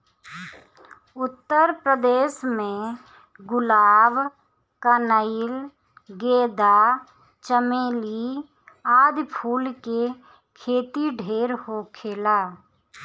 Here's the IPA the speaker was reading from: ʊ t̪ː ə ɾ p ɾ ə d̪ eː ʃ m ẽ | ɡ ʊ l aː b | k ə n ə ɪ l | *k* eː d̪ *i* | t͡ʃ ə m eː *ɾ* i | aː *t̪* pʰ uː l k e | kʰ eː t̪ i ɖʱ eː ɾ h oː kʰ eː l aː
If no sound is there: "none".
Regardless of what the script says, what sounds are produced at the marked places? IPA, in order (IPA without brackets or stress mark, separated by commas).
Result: ɡ, a, l, d̪